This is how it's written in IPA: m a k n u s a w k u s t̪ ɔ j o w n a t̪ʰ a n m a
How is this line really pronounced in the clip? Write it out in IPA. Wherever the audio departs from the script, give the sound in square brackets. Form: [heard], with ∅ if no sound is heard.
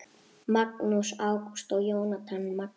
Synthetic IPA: m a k n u s a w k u s t̪ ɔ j o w n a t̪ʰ a n m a